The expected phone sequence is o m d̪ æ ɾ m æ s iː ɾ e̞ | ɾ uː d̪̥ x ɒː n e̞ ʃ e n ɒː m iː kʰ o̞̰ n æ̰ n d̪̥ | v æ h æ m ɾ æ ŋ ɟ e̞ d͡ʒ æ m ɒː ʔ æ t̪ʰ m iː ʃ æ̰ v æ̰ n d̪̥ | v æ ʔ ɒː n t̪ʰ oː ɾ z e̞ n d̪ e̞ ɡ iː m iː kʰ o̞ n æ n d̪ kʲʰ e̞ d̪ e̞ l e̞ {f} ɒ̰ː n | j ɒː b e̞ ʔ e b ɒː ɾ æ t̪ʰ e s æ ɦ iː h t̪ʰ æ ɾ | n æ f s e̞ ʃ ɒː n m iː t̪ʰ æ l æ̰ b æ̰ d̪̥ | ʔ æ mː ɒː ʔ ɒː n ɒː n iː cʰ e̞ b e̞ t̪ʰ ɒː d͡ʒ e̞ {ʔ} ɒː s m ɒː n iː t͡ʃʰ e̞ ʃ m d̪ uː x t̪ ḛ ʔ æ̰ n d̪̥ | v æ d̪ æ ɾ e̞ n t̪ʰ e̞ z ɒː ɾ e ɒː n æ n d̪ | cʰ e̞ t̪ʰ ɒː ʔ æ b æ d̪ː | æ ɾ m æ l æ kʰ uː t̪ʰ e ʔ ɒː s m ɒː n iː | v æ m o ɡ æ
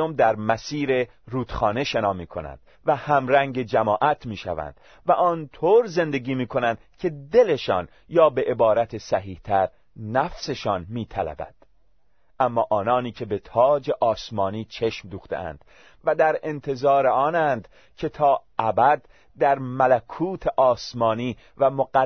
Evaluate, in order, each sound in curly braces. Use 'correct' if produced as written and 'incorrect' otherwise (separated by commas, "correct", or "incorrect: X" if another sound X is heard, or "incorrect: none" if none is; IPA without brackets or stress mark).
incorrect: ʃ, correct